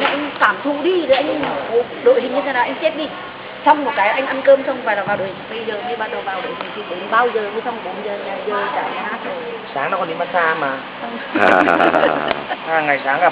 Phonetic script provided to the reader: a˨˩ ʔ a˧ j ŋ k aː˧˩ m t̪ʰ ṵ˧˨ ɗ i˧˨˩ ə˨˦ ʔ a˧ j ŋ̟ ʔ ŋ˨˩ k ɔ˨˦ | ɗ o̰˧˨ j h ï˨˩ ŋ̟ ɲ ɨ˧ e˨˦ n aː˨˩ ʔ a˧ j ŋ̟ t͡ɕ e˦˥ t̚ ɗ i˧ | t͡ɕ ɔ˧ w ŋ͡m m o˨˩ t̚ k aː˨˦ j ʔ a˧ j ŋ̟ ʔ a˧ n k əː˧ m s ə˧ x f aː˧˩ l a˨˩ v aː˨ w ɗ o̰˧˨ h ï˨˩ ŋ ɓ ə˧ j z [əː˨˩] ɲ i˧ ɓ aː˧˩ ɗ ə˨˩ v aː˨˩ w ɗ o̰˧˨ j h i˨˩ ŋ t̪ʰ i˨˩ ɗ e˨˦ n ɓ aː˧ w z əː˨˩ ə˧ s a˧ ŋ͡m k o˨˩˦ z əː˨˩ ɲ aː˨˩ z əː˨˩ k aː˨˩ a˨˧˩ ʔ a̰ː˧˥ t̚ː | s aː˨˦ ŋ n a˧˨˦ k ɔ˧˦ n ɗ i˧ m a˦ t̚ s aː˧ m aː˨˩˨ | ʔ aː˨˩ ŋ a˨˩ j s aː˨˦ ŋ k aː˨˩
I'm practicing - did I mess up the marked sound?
no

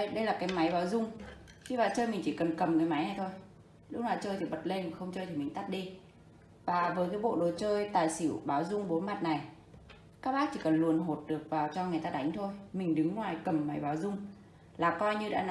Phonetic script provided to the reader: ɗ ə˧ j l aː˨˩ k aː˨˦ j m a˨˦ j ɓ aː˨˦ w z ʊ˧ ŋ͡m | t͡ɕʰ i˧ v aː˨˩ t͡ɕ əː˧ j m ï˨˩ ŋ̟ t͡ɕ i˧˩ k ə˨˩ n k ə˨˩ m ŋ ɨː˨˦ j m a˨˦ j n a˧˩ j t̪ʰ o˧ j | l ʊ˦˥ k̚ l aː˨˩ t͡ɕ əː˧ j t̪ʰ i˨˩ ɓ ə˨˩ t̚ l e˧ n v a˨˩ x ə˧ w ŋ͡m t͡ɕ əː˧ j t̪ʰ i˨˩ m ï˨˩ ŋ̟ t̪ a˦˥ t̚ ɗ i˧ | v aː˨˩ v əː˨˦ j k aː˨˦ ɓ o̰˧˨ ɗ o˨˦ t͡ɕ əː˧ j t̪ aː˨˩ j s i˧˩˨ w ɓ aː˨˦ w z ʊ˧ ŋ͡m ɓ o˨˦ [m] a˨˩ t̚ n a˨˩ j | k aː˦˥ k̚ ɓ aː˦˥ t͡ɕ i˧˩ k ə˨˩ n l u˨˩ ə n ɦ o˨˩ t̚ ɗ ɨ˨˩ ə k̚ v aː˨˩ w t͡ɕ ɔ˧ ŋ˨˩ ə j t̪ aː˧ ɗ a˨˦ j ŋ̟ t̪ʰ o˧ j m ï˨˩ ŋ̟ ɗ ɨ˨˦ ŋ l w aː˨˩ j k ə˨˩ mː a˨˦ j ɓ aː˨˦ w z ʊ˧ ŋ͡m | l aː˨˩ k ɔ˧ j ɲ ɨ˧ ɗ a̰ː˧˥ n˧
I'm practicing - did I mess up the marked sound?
no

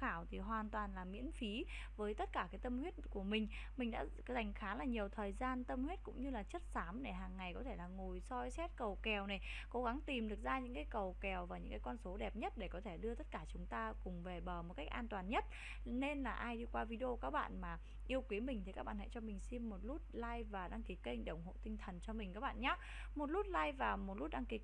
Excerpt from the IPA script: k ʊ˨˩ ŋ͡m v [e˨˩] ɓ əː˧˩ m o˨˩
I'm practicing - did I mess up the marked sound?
no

